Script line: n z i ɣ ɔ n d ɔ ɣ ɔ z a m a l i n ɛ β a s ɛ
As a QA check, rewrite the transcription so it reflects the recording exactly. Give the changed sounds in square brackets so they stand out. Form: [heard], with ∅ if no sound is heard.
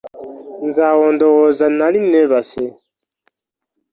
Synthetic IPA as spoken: n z [a] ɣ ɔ n d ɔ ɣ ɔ z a [n] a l i n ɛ β a s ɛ